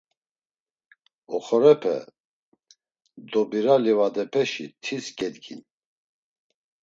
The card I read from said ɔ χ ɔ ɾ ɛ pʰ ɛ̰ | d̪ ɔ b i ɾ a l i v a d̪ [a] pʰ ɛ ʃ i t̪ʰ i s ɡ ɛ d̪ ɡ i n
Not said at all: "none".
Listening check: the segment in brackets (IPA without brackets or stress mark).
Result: ɛ